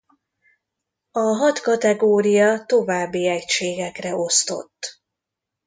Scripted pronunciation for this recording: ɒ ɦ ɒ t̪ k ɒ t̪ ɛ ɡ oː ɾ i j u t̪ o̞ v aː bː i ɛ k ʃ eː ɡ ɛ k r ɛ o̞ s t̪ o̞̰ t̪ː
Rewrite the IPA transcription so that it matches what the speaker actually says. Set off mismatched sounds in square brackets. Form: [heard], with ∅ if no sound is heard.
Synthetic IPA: ɒ ɦ ɒ t̪ k ɒ t̪ ɛ ɡ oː ɾ i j [ɒ] t̪ o̞ v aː bː i ɛ [c] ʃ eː ɡ ɛ k r ɛ o̞ s t̪ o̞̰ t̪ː